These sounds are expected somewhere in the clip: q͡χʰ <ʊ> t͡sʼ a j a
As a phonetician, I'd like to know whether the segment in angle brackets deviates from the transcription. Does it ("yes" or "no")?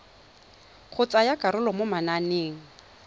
no